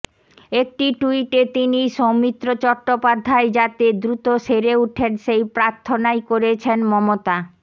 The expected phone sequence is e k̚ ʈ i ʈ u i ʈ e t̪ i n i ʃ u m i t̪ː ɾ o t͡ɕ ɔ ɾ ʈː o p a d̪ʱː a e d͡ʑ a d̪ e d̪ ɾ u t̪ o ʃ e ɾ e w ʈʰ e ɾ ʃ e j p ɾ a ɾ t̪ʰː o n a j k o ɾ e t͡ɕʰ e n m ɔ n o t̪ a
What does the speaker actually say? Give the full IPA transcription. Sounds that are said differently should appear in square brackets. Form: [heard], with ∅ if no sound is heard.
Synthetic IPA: e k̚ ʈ i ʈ u i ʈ e t̪ i n i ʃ [o] m i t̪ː ɾ o t͡ɕ ɔ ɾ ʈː o p a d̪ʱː a e d͡ʑ a [t̪] e d̪ ɾ u t̪ o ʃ e ɾ e [u] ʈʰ e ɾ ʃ e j p ɾ a ɾ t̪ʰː o n a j k o ɾ e t͡ɕʰ e n m ɔ [m] o t̪ a